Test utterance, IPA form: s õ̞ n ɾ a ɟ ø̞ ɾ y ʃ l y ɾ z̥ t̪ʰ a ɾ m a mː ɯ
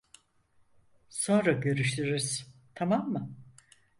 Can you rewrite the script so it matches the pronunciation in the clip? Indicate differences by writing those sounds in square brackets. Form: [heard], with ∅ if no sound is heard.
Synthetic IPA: s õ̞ n ɾ a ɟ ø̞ ɾ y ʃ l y ɾ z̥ t̪ʰ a [∅] m a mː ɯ